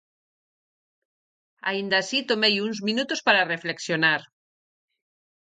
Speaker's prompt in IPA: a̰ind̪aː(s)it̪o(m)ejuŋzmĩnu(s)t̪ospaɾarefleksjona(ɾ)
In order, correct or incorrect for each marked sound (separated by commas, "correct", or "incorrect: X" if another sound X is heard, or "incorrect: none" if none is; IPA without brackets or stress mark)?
correct, correct, incorrect: none, correct